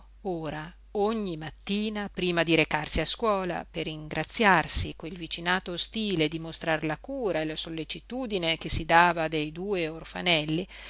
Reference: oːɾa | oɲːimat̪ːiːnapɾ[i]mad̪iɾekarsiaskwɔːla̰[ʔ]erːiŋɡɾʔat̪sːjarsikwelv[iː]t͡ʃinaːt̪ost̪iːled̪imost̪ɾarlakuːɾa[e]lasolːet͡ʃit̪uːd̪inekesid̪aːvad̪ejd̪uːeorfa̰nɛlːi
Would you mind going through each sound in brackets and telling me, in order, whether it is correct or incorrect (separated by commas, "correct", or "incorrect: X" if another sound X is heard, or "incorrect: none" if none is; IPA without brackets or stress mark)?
incorrect: iː, incorrect: p, incorrect: i, correct